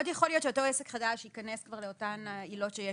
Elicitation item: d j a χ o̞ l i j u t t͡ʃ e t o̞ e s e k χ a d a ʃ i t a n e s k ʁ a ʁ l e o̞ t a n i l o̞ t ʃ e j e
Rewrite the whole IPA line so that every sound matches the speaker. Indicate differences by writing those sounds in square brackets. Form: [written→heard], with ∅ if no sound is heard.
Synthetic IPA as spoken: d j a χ o̞ l i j [u→o] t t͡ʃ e t o̞ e s e k χ a d a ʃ i [t→k] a n e s k [ʁ→v] a ʁ l e o̞ t a n i l o̞ t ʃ e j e